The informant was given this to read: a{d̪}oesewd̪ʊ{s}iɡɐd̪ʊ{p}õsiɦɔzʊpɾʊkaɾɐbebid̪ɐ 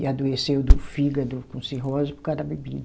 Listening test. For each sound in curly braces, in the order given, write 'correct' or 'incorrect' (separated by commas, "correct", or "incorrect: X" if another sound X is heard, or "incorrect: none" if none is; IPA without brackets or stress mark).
correct, incorrect: f, incorrect: k